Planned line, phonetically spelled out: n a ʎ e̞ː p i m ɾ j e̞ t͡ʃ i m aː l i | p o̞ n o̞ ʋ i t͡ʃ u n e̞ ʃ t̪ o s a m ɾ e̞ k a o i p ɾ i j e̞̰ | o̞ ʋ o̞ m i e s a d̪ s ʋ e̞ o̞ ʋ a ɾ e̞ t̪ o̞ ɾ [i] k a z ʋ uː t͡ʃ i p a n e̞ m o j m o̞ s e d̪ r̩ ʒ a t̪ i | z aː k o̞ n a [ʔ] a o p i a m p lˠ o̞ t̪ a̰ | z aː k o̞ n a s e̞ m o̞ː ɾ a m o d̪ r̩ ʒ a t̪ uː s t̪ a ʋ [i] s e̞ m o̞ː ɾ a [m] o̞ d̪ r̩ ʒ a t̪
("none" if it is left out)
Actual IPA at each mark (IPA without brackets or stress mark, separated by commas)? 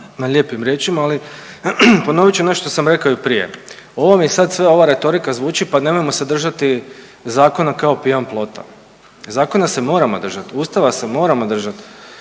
i, k, a, m